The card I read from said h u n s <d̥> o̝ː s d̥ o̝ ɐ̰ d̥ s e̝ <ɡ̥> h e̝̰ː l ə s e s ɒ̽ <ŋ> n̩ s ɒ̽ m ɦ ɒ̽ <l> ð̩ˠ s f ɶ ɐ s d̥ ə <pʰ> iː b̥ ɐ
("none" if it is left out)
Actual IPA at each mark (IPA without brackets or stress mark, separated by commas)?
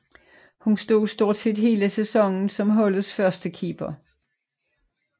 d̥, d̥, ŋ, l, kʰ